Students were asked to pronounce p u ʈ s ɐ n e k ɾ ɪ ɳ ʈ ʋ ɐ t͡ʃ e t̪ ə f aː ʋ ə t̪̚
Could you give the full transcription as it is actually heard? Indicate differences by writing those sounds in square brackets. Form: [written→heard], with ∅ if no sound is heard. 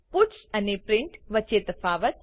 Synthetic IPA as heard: p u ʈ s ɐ n e [k→p] ɾ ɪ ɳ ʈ ʋ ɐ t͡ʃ e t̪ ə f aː ʋ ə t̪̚